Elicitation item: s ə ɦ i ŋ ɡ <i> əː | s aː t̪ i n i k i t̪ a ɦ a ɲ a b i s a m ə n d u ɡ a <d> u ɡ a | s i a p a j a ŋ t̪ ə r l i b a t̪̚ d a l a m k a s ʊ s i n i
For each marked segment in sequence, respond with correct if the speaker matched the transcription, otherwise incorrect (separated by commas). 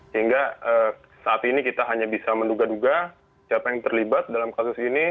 incorrect, correct